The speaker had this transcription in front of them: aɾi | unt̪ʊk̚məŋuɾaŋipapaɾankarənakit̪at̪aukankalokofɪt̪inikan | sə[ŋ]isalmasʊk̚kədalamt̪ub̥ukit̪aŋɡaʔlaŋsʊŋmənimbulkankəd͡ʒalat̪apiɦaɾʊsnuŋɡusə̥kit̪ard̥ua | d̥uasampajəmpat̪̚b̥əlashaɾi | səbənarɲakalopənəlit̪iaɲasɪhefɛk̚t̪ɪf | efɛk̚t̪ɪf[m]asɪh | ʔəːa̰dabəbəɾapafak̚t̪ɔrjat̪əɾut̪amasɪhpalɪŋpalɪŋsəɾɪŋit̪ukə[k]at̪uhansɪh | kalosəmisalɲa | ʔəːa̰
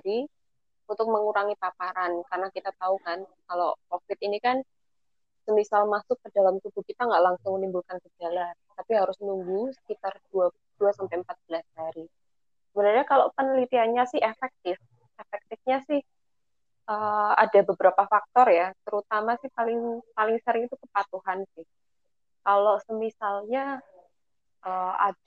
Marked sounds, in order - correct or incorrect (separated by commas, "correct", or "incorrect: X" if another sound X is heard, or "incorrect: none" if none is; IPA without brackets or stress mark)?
incorrect: m, incorrect: ɲ, incorrect: p